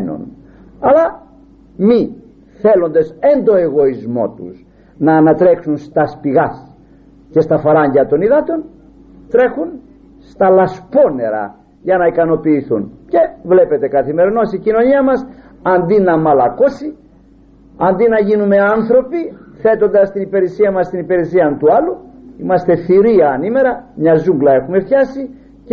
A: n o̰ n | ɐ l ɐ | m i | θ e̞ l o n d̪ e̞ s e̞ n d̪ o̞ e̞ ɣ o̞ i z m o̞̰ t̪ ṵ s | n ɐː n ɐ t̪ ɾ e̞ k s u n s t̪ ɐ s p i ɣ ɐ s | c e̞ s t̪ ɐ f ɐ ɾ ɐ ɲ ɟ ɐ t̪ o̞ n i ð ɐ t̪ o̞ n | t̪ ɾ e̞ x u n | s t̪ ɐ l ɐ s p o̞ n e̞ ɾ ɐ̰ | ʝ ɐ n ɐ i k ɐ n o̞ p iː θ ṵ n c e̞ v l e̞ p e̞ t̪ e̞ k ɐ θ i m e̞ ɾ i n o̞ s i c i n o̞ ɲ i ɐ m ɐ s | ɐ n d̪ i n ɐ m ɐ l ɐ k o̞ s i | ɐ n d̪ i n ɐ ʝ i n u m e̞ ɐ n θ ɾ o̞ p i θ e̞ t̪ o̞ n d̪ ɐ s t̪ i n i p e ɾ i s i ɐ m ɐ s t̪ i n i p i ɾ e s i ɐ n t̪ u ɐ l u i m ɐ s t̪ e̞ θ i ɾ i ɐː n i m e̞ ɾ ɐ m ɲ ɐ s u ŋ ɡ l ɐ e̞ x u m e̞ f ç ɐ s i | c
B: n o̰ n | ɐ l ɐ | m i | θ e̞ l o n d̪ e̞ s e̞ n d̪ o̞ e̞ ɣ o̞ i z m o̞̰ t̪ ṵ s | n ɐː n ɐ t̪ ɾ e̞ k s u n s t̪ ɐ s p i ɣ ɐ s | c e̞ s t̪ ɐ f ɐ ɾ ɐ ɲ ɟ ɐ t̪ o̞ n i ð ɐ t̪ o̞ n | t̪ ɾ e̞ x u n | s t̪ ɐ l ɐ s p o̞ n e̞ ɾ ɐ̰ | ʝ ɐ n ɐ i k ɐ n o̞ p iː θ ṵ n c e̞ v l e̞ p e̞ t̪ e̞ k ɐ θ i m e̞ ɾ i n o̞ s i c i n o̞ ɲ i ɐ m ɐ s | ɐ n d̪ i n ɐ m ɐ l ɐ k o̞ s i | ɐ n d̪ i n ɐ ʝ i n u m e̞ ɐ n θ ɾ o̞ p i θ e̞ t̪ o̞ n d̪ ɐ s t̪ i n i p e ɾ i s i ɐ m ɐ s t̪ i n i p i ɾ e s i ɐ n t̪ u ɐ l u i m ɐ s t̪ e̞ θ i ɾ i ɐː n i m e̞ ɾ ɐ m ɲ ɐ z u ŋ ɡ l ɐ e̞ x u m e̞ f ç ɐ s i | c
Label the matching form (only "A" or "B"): B